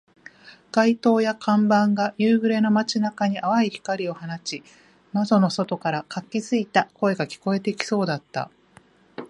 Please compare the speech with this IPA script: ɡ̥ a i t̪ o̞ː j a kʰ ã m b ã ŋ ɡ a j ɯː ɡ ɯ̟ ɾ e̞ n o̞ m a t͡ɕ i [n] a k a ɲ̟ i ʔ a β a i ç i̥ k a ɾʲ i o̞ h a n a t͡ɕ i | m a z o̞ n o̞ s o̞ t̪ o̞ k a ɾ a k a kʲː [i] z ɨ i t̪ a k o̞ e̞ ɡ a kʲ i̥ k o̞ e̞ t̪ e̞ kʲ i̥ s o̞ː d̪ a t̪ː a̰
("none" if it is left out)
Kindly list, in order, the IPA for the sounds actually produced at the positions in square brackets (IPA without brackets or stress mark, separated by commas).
n, i